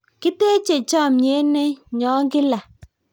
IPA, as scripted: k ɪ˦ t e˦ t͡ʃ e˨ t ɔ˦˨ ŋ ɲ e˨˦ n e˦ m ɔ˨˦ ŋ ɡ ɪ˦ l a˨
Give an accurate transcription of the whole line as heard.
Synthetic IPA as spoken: k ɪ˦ t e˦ t͡ʃ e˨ t͡ʃ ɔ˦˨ m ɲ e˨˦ n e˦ ɲ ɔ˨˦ ŋ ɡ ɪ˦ l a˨